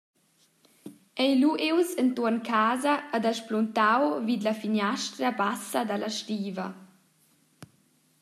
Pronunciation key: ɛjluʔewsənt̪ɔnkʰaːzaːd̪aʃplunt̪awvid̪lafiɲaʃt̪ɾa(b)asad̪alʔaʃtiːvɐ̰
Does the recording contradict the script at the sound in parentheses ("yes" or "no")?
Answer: no